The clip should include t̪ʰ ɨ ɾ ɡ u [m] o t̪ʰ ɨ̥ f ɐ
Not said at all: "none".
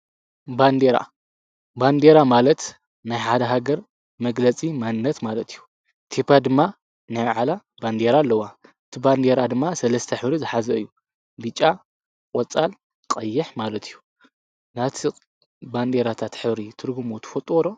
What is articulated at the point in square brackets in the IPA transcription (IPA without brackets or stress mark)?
m